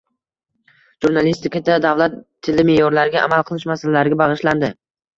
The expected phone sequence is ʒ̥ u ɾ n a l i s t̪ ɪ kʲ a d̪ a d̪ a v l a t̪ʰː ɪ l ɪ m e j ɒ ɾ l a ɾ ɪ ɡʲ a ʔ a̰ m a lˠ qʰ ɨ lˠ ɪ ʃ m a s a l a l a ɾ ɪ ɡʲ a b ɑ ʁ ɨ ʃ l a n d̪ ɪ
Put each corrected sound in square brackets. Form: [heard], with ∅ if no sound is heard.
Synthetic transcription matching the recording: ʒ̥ u ɾ n a l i s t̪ ɪ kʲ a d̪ a d̪ a v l a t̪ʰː ɪ l ɪ m e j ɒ ɾ l a ɾ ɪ ɡʲ a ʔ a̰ m a lˠ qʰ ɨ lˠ ɪ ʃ m a s a l a l a ɾ ɪ ɡʲ a b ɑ ʁ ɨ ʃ l a n d̪ ɪ